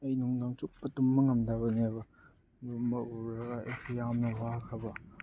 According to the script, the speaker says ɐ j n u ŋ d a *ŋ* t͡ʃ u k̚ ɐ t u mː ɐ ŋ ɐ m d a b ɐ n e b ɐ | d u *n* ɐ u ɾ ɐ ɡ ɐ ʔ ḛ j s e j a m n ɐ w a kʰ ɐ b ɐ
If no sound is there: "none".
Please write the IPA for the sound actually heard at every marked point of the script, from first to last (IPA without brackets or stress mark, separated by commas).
ŋ, m